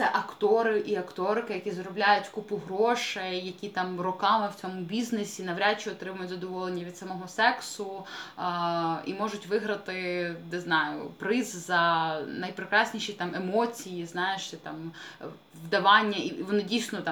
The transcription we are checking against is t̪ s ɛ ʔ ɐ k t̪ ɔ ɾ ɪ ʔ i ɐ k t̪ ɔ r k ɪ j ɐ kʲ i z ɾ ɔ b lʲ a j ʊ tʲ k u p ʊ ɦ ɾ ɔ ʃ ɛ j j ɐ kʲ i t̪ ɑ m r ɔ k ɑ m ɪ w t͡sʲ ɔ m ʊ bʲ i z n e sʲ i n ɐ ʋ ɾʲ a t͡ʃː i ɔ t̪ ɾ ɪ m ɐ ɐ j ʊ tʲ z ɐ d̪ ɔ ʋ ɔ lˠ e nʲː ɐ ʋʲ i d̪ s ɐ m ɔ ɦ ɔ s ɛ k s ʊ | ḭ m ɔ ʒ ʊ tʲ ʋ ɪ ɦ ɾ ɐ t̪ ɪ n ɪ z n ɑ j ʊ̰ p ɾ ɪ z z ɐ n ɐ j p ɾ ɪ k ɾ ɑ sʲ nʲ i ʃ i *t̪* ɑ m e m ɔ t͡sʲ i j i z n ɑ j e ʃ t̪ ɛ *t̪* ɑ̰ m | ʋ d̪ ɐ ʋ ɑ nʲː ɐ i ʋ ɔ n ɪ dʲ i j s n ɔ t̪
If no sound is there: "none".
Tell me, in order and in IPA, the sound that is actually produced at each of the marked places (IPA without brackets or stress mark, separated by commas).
t̪, t̪